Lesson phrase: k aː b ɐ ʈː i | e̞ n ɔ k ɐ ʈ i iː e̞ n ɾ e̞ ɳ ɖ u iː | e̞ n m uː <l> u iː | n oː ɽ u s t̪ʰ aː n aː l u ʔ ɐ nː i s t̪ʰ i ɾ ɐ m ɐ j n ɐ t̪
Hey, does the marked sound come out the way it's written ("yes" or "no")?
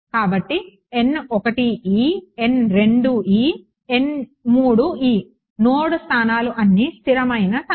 no